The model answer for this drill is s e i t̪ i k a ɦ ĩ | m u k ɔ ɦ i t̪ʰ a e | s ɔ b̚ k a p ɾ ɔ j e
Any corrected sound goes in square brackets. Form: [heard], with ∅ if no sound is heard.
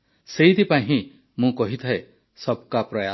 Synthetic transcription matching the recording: s e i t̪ i [p] a ɦ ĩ | m [ũ] k ɔ ɦ i t̪ʰ a e | s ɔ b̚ k a p ɾ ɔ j [a]